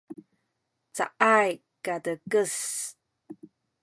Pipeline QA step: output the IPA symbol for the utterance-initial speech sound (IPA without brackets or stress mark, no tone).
t͡s